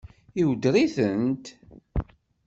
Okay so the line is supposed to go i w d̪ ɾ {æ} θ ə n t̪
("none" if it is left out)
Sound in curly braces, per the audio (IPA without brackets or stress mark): i